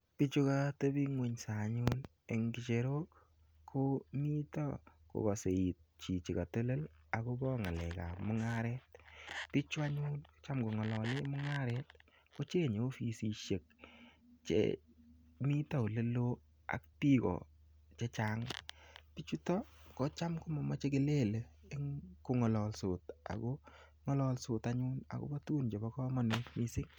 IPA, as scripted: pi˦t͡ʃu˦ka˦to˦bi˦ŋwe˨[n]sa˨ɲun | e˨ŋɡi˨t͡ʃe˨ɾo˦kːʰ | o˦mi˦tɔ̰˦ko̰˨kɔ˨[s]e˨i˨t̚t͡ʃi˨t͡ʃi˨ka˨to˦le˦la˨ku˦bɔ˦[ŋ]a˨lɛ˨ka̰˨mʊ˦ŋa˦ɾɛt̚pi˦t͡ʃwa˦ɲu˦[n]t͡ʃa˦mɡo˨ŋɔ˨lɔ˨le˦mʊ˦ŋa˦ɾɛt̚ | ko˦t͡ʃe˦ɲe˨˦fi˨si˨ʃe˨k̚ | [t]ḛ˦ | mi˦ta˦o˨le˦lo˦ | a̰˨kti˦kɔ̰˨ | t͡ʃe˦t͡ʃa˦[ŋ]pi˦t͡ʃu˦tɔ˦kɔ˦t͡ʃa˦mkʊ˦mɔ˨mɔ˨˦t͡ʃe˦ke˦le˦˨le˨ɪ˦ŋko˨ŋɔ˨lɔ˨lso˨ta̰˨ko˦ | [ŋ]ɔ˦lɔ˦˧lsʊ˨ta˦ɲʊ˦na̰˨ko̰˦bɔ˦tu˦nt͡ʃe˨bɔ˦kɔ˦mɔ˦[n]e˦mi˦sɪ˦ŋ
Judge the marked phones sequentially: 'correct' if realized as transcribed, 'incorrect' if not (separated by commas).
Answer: incorrect, correct, correct, correct, incorrect, correct, correct, correct